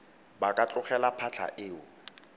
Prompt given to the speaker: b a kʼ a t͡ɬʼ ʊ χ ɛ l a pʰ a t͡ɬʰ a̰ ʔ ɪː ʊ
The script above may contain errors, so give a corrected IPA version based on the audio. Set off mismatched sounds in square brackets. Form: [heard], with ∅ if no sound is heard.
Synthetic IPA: b a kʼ a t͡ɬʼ ʊ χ ɛ l a pʰ a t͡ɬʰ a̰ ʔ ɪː ʊ

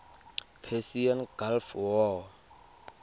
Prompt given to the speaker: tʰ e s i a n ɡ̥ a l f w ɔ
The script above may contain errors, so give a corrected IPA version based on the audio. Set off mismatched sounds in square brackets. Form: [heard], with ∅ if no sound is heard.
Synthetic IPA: [pʰ] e s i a n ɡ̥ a l f w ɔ

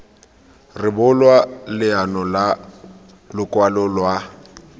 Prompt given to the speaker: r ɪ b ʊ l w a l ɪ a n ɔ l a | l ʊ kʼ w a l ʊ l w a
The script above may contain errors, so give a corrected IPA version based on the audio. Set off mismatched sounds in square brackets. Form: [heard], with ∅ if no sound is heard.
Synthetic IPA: r ɪ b ʊ l w a l ɪ a n ɔ l a | l ʊ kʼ w a l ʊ l w a

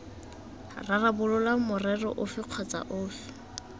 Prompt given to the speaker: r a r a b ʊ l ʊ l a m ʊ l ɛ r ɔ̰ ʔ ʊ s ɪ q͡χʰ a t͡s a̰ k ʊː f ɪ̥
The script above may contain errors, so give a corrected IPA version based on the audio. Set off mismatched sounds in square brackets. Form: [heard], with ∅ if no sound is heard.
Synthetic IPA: r a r a b ʊ l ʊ l a m ʊ [r] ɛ r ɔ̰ ʔ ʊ [f] ɪ q͡χʰ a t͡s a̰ [ʔ] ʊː f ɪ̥

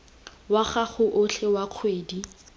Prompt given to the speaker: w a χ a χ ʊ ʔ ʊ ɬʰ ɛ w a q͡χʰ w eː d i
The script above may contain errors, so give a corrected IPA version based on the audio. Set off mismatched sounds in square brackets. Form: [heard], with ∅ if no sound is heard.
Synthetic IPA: w a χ a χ ʊ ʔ ʊ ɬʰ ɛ w a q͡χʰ w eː d i

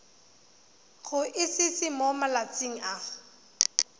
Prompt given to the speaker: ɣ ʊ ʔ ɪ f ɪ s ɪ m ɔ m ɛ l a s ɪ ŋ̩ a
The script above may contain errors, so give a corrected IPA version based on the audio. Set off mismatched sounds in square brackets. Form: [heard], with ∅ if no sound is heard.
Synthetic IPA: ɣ ʊ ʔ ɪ [s] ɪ s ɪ m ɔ m [a] l a [t͡s] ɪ ŋ̩ a

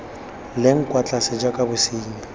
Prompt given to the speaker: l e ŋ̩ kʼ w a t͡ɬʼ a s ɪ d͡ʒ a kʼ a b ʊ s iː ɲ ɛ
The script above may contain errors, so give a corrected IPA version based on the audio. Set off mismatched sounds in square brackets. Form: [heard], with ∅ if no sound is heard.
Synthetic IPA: l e ŋ̩ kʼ w a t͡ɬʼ a s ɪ d͡ʒ a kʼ a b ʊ s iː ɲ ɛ

